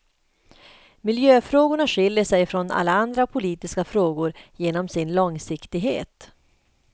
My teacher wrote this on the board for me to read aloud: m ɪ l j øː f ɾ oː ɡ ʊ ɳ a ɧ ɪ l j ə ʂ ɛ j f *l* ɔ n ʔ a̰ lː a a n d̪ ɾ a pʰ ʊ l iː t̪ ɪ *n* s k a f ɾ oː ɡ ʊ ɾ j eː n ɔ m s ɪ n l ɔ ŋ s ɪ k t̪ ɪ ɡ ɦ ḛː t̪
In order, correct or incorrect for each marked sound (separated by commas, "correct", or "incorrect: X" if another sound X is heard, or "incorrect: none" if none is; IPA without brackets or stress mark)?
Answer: incorrect: ɾ, incorrect: none